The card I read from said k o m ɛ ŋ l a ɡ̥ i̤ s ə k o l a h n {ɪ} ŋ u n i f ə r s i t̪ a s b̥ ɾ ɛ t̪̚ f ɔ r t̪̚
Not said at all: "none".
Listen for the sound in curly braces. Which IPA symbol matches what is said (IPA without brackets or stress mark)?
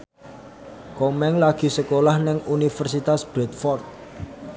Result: ɪ